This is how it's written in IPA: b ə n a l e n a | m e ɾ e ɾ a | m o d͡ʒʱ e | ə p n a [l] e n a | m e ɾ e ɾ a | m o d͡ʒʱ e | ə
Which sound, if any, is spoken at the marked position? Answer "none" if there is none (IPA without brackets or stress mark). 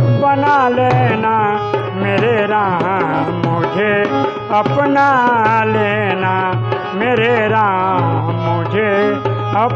l